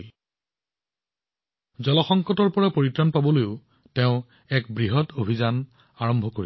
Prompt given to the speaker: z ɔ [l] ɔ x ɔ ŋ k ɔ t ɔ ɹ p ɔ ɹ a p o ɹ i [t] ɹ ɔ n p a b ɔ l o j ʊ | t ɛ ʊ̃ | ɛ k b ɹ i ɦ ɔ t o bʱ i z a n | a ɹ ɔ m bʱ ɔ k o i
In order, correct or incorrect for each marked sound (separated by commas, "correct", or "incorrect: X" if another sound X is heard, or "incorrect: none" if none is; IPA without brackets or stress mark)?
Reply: correct, correct